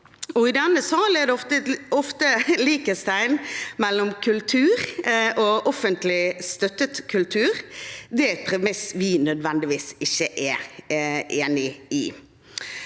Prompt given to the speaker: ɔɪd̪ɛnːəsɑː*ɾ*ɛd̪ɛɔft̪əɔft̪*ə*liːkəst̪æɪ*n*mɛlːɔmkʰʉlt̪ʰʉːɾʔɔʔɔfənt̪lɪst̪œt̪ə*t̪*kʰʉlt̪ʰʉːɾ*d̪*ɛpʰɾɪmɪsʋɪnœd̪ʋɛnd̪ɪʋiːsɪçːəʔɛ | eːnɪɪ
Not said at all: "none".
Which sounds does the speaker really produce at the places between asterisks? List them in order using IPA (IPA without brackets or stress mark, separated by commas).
l, ə, n, t̪, d̪